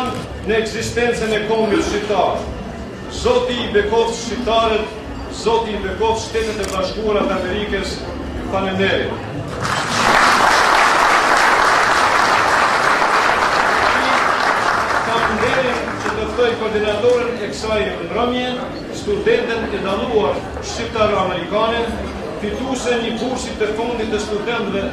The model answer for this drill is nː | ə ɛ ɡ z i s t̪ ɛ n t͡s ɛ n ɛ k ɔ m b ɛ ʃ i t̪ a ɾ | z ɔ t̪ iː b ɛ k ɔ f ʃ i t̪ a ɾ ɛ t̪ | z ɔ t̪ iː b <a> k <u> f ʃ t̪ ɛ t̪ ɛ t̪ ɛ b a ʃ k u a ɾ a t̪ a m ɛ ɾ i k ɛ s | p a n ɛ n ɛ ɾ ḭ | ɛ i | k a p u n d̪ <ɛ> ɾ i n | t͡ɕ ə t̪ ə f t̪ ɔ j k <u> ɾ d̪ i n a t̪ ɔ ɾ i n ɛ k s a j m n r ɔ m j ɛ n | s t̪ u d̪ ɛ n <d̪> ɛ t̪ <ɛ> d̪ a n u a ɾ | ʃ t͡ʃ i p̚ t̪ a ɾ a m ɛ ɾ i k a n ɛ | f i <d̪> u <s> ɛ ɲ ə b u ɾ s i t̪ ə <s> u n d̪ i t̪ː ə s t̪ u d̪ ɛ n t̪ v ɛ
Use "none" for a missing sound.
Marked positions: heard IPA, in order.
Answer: ɛ, ɔ, ɛ, ɔ, t̪, ɛ, t̪, s, f

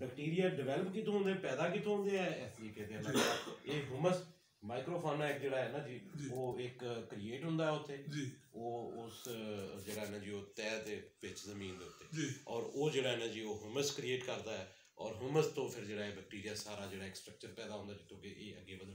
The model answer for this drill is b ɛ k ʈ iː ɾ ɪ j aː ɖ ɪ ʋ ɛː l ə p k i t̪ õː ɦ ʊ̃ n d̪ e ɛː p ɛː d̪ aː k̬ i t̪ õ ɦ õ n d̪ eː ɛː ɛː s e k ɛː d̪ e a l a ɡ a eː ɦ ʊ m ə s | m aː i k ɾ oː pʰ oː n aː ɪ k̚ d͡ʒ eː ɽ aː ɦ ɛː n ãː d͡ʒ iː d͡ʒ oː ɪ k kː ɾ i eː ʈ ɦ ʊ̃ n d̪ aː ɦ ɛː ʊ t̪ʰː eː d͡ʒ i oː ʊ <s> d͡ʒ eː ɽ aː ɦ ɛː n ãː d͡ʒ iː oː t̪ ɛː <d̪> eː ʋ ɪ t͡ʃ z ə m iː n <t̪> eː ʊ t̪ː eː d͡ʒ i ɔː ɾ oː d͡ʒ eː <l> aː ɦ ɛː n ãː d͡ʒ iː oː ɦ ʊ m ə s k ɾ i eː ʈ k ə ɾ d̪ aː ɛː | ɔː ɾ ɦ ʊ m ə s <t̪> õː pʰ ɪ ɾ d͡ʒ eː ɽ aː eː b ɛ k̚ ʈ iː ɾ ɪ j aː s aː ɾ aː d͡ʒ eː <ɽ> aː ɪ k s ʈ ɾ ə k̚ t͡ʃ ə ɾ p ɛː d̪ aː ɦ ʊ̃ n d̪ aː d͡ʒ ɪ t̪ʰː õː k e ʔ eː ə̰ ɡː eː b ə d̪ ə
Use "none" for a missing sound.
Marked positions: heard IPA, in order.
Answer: s, d̪, d̪, ɽ, t̪, ɽ

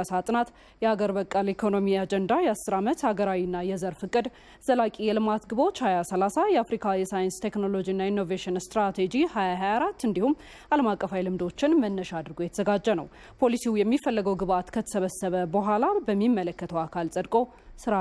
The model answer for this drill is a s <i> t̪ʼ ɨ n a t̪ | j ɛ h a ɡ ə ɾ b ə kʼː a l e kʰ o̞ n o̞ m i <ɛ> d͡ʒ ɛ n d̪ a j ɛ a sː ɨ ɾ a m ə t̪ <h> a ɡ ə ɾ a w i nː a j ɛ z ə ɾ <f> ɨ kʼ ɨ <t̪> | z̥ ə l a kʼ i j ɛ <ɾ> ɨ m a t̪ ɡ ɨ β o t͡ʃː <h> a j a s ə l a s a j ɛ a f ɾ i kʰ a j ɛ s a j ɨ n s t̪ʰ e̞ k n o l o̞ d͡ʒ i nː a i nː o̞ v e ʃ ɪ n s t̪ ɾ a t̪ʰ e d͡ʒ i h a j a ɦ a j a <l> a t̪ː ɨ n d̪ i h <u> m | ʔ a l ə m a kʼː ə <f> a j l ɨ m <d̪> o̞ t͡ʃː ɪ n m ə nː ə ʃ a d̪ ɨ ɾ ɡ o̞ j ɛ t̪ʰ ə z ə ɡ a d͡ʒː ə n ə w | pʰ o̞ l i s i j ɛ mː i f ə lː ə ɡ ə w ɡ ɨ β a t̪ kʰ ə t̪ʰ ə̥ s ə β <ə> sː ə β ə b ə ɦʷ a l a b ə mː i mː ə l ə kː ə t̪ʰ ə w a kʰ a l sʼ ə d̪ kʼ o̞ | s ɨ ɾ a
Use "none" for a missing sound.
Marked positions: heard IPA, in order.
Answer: a, a, h, f, d̪, l, h, ɾ, u, f, d̪, ə

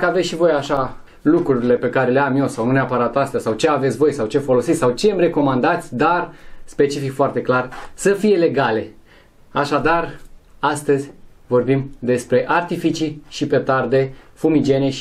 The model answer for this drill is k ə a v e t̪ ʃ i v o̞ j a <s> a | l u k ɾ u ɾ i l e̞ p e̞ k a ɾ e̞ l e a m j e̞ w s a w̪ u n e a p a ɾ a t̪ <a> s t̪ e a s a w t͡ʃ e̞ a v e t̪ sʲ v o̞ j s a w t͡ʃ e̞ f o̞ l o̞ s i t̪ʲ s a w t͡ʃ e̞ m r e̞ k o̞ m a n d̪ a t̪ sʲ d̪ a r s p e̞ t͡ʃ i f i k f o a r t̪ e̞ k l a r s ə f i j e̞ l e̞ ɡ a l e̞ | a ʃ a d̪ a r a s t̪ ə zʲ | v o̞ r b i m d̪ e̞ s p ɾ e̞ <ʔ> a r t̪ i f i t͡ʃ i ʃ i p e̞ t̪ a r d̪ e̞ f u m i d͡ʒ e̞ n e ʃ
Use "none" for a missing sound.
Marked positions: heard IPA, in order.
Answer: ʃ, a, ʔ

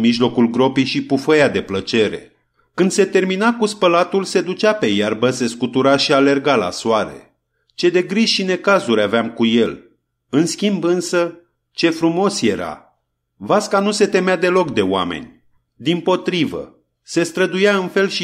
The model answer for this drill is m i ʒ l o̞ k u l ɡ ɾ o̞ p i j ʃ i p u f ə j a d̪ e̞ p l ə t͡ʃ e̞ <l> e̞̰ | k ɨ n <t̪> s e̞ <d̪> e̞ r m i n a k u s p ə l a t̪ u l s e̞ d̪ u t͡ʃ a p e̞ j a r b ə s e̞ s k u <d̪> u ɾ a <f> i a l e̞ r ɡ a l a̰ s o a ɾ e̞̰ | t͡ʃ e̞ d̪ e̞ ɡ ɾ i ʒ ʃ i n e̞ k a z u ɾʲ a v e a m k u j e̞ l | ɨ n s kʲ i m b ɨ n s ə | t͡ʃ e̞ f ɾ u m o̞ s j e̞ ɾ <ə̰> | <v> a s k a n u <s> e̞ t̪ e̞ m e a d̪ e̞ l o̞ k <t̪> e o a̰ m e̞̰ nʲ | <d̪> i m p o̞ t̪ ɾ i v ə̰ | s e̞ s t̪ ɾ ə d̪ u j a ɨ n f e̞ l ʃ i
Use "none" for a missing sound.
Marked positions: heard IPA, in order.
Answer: ɾ, d̪, t̪, t̪, ʃ, a̰, v, s, d̪, d̪

